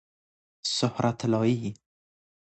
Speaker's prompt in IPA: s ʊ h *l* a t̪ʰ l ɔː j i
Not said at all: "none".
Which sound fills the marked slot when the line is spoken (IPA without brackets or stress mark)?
ɾ